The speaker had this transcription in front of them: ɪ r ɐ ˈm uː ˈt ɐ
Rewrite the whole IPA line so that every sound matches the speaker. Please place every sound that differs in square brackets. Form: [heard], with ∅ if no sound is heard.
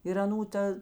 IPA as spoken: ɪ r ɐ [ˈn] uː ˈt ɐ